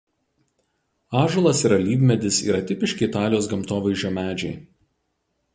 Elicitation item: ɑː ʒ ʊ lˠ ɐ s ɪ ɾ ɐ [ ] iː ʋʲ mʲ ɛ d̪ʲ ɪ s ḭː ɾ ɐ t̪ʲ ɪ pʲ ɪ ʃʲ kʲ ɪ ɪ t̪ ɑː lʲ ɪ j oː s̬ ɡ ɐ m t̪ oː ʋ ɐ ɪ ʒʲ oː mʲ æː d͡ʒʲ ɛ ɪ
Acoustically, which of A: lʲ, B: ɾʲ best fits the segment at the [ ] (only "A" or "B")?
A